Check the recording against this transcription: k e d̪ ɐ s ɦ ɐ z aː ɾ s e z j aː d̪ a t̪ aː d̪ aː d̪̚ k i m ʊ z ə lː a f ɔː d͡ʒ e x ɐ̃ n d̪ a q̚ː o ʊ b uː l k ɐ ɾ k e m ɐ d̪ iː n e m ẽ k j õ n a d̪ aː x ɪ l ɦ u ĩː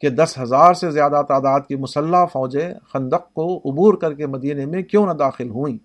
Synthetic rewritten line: k e d̪ ɐ s ɦ ɐ z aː ɾ s e z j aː d̪ a t̪ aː d̪ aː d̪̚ k i m ʊ s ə lː a f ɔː d͡ʒ e x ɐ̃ n d̪ ə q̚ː o ʊ b uː ɾ k ɐ ɾ k e m ɐ d̪ iː n e m ẽ k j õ n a d̪ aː x ɪ l ɦ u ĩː